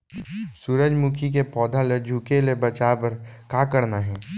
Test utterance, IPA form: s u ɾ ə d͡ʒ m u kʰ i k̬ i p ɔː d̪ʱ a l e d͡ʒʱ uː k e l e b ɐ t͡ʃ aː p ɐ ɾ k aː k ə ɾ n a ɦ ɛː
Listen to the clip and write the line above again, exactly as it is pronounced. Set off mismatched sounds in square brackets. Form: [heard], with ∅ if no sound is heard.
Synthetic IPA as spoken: s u ɾ ə d͡ʒ m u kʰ i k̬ [e] p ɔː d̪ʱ a l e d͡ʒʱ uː k e l e b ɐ t͡ʃ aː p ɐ ɾ k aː k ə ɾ n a ɦ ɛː